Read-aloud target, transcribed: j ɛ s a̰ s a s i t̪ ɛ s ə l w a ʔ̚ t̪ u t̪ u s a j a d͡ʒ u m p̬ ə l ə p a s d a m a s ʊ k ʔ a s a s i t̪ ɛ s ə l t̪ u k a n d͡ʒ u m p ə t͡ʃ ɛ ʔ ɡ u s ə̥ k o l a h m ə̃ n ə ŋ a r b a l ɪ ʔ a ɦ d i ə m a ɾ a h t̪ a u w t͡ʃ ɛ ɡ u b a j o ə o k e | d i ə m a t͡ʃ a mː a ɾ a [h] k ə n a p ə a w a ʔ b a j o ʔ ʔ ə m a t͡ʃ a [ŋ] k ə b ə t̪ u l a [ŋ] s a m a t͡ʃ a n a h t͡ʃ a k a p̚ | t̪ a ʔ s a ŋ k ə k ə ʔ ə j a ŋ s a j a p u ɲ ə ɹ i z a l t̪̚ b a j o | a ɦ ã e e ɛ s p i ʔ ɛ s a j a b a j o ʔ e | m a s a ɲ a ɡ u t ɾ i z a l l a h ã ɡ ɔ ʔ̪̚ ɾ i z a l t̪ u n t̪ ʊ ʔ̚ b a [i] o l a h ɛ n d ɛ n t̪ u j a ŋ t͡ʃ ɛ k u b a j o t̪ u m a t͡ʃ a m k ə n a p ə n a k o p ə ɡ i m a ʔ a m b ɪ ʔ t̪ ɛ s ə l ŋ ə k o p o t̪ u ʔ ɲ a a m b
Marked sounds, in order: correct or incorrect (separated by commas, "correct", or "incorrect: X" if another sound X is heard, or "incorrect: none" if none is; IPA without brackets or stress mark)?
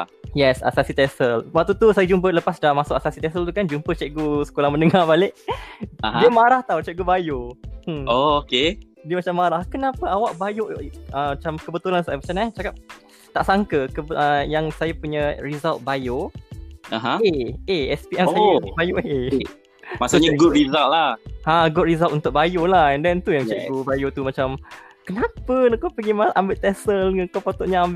correct, incorrect: m, incorrect: n, incorrect: j